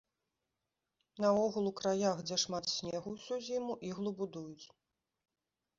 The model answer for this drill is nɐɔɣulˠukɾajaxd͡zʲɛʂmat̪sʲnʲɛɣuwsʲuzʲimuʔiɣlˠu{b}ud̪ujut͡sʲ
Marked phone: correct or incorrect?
correct